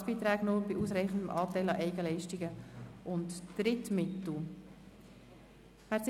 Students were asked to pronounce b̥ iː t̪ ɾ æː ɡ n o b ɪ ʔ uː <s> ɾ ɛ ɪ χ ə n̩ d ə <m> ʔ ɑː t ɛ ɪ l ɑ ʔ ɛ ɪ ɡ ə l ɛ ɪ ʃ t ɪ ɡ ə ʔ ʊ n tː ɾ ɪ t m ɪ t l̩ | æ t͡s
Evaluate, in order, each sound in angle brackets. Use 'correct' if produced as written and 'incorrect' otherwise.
correct, correct

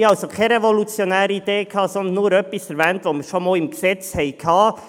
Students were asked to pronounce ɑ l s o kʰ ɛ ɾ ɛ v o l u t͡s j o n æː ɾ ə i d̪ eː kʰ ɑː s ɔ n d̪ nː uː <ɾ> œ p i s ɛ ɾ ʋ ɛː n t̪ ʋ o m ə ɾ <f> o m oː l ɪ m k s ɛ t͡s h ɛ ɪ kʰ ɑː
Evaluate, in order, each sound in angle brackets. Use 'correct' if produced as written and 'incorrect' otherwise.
correct, incorrect: ʃ

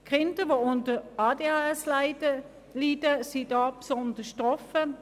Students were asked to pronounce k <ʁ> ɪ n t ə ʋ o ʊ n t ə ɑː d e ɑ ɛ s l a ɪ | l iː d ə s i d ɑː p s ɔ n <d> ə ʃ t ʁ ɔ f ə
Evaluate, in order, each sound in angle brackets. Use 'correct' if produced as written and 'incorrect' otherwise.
correct, correct

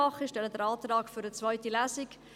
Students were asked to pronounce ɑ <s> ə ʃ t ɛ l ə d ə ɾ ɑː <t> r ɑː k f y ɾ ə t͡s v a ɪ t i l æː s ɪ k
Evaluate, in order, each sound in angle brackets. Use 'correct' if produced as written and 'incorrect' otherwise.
incorrect: χ, correct

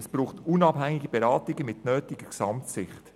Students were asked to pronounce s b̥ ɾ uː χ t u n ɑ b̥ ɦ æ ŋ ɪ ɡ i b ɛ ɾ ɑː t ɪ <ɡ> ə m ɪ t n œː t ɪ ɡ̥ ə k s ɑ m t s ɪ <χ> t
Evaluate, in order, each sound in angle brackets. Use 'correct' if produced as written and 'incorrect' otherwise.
correct, correct

